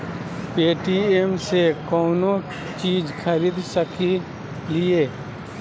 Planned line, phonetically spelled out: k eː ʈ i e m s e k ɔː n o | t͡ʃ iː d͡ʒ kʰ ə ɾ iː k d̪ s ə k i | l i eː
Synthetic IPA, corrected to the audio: p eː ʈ i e m s e k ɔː n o | t͡ʃ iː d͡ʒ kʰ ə ɾ iː d̪ s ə k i | l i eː